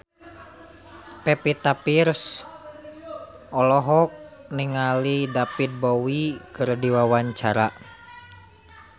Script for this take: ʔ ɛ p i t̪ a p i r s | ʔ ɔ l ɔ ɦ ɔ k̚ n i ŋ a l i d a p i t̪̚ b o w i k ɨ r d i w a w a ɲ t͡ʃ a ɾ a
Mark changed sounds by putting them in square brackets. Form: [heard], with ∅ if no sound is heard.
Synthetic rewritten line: [p] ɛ p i t̪ a p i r s | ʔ ɔ l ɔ ɦ ɔ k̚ n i ŋ a l i d a p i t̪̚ b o w i k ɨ r d i w a w a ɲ t͡ʃ a ɾ a